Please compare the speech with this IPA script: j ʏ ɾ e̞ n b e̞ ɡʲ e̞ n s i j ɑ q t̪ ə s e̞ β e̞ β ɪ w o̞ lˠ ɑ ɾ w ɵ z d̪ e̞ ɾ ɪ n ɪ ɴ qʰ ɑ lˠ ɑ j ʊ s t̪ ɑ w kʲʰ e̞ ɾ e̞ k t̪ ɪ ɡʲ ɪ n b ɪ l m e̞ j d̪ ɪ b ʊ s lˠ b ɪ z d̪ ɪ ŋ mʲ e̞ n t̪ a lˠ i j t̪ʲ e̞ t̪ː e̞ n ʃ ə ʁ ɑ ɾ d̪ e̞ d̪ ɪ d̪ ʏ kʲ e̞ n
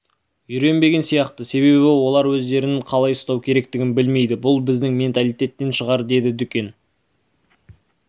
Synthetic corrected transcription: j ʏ ɾ e̞ n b e̞ ɡʲ e̞ n s i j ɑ q t̪ ə s e̞ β e̞ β ɪ w o̞ lˠ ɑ ɾ w ɵ z d̪ e̞ ɾ ɪ n ɪ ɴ qʰ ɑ lˠ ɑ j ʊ s t̪ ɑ w kʲʰ e̞ ɾ e̞ k t̪ ɪ ɡʲ ɪ n b ɪ l m e̞ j d̪ ɪ b ʊ lˠ b ɪ z d̪ ɪ ŋ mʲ e̞ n t̪ a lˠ i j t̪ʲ e̞ t̪ː e̞ n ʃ ə ʁ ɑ ɾ d̪ e̞ d̪ ɪ d̪ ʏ kʲ e̞ n